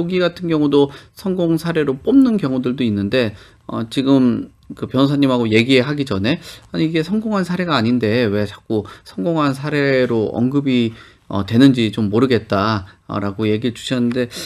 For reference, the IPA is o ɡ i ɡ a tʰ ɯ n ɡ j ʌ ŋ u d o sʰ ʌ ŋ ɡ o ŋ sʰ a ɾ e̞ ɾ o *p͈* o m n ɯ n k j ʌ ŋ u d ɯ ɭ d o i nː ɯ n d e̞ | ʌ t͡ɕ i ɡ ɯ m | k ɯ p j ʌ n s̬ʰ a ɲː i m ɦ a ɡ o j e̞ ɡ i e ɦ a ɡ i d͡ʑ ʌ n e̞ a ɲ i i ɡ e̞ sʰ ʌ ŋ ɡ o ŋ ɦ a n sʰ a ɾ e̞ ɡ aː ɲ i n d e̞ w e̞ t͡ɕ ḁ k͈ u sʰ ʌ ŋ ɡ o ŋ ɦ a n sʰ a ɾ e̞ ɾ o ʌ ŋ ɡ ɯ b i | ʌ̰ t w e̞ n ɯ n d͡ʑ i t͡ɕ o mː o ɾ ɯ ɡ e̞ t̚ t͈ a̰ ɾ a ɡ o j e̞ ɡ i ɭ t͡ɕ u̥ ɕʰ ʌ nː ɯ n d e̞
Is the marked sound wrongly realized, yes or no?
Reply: no